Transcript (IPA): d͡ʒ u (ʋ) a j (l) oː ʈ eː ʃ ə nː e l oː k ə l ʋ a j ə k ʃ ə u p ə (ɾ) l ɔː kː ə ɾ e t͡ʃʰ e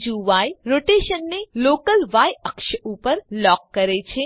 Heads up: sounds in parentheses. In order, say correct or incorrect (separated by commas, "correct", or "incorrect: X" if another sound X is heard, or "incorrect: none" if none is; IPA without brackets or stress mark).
correct, incorrect: ɾ, correct